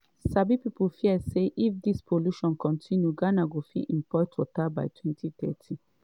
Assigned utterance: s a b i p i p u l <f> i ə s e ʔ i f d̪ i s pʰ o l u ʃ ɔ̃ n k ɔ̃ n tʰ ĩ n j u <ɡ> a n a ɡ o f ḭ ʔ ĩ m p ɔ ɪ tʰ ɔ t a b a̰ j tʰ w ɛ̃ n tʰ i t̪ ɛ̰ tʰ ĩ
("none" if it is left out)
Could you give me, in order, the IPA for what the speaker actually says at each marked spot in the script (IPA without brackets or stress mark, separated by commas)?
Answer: f, ɡ